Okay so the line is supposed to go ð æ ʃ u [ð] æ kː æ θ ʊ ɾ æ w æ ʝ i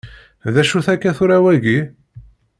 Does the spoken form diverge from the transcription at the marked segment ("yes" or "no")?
yes